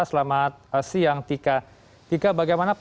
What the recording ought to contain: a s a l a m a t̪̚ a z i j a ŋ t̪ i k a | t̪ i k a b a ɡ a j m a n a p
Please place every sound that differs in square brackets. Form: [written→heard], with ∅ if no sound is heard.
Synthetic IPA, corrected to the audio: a s [a→ə] l a m a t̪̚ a [z→s] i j a ŋ t̪ i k a | t̪ i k a b a ɡ a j m a n a p